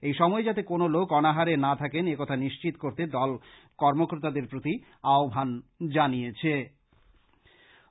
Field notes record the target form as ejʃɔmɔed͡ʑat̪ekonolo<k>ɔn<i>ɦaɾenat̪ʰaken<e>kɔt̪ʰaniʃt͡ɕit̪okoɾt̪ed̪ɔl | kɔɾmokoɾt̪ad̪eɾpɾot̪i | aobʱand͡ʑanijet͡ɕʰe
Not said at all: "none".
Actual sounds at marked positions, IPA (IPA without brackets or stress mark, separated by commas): k, a, e